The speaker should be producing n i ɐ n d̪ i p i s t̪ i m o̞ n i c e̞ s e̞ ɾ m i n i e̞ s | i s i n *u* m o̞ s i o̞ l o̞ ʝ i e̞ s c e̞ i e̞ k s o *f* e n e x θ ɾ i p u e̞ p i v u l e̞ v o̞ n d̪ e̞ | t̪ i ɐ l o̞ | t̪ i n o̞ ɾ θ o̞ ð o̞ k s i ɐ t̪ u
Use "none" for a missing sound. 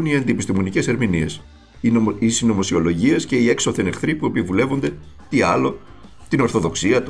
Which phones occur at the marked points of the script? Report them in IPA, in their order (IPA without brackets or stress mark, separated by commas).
o, θ